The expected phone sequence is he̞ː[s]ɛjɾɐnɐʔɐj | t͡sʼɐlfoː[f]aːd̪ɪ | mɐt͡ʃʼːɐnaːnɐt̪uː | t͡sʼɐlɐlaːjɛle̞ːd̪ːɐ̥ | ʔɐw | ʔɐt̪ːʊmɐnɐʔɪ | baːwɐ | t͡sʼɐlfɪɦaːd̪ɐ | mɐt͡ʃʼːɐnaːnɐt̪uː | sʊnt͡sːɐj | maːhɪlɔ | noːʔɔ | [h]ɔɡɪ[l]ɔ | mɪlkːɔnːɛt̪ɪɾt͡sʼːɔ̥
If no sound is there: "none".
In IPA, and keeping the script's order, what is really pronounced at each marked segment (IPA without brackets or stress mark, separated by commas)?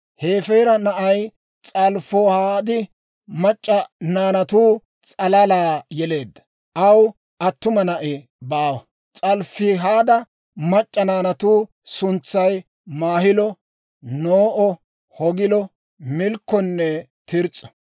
f, h, h, l